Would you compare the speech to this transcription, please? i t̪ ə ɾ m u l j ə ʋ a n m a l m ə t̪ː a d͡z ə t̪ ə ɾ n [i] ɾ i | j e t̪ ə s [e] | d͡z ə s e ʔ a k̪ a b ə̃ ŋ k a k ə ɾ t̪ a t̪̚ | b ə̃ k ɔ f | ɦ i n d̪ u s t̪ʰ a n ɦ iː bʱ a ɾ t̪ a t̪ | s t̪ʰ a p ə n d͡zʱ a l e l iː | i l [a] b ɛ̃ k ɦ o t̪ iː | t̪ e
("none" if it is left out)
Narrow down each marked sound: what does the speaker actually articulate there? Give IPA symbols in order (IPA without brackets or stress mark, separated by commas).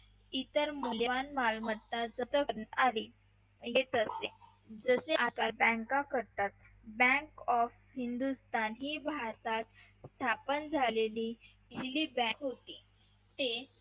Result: a, e, i